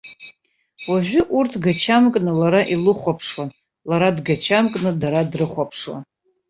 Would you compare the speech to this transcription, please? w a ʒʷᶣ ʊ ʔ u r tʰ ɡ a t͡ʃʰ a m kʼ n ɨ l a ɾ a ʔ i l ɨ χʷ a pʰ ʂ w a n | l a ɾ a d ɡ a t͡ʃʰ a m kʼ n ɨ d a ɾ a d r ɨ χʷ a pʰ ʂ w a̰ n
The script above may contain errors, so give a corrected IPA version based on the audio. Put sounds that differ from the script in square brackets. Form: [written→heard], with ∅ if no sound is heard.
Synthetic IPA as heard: w a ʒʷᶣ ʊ ʔ u r tʰ ɡ a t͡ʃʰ a m kʼ n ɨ l a ɾ a ʔ i l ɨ χʷ a pʰ ʂ w a n | l a ɾ a d ɡ a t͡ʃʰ a m kʼ n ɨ d a ɾ a d r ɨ χʷ a pʰ ʂ w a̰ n